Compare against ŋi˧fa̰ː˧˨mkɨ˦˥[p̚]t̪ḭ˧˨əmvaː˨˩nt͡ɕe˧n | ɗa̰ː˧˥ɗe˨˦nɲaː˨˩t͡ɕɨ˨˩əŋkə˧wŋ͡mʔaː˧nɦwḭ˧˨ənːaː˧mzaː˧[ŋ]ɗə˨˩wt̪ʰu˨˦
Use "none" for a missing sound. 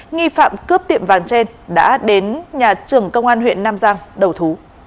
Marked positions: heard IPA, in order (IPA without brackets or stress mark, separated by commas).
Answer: p̚, ŋ